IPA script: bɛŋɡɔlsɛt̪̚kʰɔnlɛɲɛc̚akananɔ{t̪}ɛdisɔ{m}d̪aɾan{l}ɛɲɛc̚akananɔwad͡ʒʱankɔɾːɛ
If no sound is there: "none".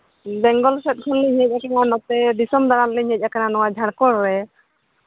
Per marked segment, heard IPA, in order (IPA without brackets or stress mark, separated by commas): t̪, m, l